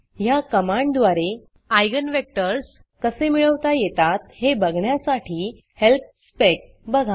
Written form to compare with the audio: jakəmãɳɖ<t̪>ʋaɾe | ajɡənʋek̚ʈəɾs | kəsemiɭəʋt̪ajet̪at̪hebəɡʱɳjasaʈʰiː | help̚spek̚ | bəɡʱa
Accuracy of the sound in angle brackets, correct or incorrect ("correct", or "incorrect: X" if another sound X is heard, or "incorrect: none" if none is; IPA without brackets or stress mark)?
incorrect: d̪